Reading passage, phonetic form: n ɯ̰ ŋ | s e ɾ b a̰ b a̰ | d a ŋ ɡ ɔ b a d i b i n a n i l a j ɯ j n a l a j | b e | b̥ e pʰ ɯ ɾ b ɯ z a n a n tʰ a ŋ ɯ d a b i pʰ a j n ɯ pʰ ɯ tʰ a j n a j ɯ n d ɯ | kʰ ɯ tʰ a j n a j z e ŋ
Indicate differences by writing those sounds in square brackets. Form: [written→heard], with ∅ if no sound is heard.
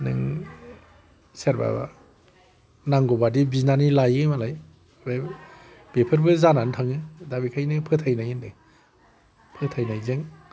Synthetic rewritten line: n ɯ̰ ŋ | s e ɾ b a̰ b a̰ | [d→n] a ŋ ɡ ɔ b a d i b i n a n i l a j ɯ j [n→m] a l a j | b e | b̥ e pʰ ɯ ɾ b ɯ z a n a n tʰ a ŋ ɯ d a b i [pʰ→kʰ] a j n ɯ pʰ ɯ tʰ a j n a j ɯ n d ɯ | [kʰ→pʰ] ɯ tʰ a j n a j z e ŋ